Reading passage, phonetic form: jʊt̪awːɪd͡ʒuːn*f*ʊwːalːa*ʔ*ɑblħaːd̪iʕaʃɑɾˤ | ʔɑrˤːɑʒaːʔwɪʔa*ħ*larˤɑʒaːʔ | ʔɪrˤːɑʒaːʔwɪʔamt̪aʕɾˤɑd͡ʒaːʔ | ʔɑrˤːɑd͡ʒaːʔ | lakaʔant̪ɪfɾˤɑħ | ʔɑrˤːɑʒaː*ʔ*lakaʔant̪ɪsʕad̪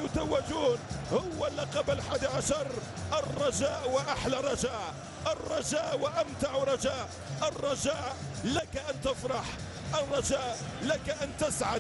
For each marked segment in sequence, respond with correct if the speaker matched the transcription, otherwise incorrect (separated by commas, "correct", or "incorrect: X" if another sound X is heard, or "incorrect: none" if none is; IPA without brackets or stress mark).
incorrect: h, incorrect: q, correct, correct